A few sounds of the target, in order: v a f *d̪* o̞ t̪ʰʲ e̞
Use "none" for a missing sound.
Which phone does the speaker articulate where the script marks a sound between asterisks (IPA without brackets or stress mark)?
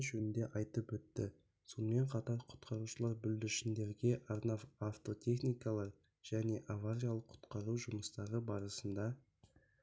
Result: t̪